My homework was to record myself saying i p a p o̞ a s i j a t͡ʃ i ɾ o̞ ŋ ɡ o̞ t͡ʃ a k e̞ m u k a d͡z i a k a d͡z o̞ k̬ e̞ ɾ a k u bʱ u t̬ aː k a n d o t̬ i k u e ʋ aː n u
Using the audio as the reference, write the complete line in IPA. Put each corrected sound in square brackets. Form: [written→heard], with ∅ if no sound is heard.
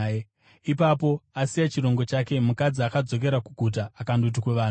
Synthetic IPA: i p a p o̞ a s i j a t͡ʃ i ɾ o̞ ŋ ɡ o̞ t͡ʃ a k e̞ m u k a d͡z i a k a d͡z o̞ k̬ e̞ ɾ a k u [bʱ→ɡʱ] u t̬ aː k a n d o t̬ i k [u→w] e ʋ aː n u